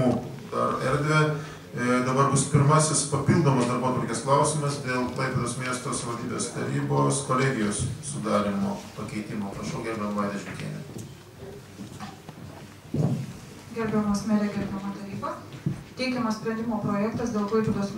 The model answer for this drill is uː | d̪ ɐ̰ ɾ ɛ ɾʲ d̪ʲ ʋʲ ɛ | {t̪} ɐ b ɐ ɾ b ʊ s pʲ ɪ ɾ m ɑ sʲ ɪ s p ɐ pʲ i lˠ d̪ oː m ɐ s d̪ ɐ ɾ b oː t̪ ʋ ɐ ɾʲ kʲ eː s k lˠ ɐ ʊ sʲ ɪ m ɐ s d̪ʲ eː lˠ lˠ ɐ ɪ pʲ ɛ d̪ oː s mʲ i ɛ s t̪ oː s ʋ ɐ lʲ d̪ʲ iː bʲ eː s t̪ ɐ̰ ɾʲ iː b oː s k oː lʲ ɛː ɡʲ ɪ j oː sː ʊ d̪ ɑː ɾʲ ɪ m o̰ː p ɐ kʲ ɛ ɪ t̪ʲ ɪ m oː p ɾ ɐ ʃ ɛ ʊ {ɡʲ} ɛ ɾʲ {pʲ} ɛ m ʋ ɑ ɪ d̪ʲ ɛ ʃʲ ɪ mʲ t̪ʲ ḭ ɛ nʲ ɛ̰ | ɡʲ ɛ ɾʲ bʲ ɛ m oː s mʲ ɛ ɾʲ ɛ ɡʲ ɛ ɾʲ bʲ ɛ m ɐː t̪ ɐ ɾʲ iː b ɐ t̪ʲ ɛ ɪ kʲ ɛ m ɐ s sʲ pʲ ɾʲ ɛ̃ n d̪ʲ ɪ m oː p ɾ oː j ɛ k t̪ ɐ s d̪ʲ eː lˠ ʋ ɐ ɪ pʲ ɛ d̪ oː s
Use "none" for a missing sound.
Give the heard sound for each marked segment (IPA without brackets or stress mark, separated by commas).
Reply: d̪, ɡʲ, bʲ